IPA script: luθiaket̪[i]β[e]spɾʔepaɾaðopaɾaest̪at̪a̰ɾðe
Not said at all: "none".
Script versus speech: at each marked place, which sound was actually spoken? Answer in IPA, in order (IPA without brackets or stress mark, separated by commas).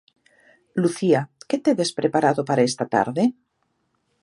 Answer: e, e